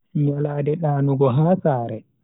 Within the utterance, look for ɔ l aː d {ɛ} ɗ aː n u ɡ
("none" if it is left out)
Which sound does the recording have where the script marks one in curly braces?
ɛ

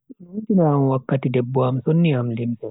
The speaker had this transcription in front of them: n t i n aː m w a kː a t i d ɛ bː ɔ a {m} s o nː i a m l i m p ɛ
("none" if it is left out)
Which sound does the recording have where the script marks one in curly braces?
m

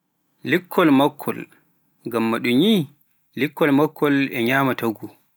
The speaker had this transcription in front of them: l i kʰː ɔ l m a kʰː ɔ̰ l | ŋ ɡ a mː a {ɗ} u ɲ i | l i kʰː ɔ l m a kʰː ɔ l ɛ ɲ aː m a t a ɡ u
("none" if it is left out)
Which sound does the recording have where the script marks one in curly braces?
ɗ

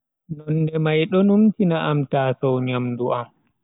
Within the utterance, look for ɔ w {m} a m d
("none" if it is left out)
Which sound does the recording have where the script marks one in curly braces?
ɲ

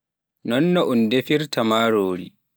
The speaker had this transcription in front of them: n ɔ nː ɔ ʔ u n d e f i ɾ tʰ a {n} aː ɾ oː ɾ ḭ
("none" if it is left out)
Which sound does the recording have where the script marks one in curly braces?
m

